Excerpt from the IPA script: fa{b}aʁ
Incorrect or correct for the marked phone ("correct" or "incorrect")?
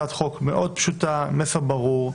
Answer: correct